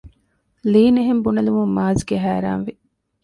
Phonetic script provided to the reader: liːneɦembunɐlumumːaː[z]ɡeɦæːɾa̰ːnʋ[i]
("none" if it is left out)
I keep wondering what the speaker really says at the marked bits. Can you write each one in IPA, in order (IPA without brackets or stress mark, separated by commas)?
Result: z, i